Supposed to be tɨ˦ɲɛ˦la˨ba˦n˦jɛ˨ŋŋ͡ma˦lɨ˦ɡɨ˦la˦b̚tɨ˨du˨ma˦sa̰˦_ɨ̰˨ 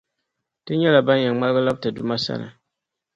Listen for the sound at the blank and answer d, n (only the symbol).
n